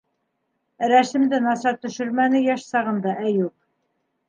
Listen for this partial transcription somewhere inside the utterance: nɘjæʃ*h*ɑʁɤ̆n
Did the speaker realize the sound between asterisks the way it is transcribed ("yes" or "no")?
no